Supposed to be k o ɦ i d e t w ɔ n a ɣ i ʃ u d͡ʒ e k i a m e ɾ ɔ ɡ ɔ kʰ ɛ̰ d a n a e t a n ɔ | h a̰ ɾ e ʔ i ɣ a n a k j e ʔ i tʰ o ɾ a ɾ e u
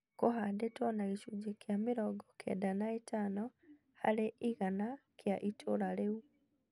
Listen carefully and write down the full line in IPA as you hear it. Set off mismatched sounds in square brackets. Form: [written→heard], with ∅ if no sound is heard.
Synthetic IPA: k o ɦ [i→a] d e t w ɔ n a ɣ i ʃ u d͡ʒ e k [i→j] a m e ɾ ɔ ɡ ɔ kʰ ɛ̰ d a n a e t a n ɔ | h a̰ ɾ e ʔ i ɣ a n a k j [e→a] ʔ i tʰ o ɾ a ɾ e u